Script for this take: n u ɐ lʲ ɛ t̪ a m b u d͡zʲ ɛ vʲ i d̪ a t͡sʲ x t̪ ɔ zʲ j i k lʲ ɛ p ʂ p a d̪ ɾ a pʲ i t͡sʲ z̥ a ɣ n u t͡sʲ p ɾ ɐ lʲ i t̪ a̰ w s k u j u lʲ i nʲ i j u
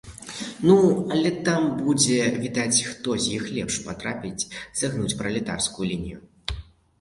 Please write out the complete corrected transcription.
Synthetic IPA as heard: n u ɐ lʲ ɛ t̪ a m b u d͡zʲ ɛ vʲ i d̪ a t͡sʲ x t̪ ɔ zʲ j i x lʲ ɛ p ʂ p a t̪ ɾ a pʲ i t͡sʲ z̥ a ɣ n u t͡sʲ p ɾ ɐ lʲ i t̪ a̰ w s k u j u lʲ i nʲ i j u